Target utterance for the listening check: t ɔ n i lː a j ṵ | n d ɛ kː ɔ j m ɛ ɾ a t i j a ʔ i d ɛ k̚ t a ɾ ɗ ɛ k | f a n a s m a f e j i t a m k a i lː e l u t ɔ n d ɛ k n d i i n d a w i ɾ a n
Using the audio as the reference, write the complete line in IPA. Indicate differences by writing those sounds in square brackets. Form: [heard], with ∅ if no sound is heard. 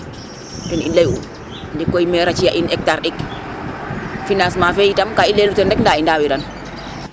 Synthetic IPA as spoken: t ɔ n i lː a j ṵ | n d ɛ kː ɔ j m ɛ ɾ a [t͡ʃ] i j a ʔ i [n] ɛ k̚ t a ɾ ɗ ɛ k | f [i] n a s m a f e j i t a m k a i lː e l u t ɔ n d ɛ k n d [a] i n d a w i ɾ a n